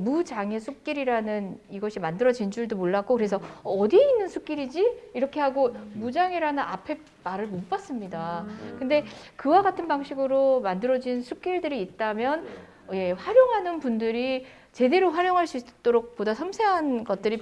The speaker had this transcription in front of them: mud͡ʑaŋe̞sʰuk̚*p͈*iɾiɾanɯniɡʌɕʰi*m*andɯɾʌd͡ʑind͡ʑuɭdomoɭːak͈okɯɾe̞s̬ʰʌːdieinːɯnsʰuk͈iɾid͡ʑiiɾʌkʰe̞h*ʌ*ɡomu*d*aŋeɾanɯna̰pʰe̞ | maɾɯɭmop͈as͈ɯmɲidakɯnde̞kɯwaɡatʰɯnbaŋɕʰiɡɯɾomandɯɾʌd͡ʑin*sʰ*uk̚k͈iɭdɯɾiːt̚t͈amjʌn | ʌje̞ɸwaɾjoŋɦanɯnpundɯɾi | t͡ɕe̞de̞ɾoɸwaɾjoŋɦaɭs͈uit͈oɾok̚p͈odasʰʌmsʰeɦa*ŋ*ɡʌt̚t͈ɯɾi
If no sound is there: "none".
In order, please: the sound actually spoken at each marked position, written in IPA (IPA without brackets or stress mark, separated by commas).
k͈, m, a, d͡ʑ, sʰ, n